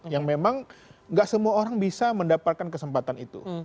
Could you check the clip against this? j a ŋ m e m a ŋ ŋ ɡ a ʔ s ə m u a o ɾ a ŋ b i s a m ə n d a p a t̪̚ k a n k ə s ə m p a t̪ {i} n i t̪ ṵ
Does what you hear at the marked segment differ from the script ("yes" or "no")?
yes